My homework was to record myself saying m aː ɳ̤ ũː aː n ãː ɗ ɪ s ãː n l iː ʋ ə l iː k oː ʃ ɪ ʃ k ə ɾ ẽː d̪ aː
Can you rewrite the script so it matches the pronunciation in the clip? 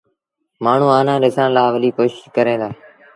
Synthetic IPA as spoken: m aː ɳ̤ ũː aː n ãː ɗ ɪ s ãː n l aː ʋ ə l iː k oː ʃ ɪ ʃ k ə ɾ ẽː d̪ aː